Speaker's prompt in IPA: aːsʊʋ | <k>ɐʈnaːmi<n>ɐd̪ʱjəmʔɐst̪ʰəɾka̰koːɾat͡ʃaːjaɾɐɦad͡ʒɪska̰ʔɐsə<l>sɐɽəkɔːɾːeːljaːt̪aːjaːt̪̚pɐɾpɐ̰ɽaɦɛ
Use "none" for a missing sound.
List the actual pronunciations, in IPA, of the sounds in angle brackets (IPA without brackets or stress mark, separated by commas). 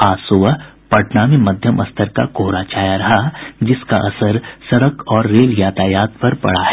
p, m, ɾ